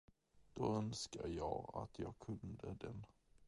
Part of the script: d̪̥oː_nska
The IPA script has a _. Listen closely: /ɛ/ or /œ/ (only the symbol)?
œ